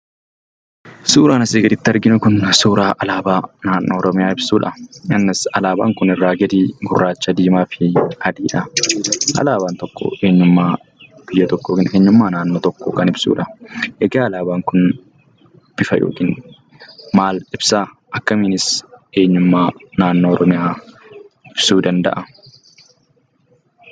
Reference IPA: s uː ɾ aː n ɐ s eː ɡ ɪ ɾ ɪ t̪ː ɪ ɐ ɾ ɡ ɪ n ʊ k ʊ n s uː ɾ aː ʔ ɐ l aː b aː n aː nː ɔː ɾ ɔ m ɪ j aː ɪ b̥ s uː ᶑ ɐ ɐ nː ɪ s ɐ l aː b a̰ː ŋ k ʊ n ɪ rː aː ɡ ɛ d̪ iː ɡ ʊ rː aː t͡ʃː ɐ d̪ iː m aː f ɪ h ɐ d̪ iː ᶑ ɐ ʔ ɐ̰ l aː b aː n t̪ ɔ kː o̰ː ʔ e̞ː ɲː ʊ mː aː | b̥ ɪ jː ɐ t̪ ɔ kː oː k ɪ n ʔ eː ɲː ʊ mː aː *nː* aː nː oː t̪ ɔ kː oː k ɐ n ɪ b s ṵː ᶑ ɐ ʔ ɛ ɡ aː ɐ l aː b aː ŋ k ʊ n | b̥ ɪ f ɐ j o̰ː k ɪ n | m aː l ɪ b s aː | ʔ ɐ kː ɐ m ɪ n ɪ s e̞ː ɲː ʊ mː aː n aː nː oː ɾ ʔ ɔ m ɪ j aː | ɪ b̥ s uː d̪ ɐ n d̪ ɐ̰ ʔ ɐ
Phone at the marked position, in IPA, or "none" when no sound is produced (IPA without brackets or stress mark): n